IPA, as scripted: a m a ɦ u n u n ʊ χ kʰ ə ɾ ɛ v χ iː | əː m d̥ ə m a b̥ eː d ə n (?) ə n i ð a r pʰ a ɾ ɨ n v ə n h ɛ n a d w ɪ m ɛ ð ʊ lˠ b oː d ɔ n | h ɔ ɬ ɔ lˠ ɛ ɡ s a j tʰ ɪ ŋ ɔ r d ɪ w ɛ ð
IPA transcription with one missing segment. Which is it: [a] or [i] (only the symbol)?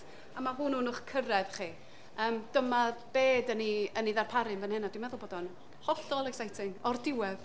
i